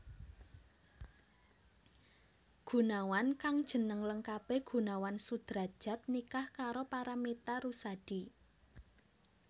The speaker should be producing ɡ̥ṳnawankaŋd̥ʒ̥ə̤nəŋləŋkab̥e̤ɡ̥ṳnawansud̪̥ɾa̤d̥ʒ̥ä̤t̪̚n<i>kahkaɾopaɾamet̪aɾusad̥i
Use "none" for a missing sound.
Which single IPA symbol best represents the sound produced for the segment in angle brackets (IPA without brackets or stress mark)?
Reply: i